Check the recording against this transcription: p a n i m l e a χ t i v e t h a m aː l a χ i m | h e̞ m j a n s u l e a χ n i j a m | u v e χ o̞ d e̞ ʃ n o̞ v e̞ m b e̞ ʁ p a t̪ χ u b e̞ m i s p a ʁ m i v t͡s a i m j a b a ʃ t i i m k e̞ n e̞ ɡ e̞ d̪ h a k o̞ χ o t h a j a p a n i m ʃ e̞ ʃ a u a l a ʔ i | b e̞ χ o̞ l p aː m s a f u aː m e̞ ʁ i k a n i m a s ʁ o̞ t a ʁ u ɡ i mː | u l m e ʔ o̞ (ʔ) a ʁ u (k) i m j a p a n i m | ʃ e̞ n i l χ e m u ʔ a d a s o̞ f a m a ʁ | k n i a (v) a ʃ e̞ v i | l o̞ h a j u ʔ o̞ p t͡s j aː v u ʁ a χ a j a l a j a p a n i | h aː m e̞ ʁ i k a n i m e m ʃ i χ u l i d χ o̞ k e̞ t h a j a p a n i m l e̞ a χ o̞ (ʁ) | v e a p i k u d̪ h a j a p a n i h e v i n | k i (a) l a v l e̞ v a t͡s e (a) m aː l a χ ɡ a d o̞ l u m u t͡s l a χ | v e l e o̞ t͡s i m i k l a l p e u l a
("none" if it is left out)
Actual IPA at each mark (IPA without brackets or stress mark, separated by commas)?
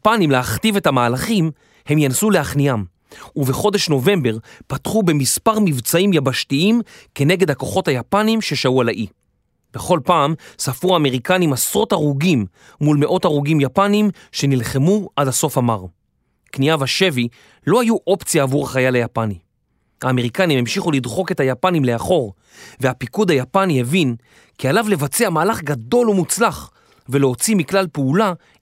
t, ɡ, v, ʁ, a, a